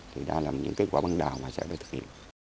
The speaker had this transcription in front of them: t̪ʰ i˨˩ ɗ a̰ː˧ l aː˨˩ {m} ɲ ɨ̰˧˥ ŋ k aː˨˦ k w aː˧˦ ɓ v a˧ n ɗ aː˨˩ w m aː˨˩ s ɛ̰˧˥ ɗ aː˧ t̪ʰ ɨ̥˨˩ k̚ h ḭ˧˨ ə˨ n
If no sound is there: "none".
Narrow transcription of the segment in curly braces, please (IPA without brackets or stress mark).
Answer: m